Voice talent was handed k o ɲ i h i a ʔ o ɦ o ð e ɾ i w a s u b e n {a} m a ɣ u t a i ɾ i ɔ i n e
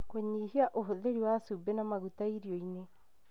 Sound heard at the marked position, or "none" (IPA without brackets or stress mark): a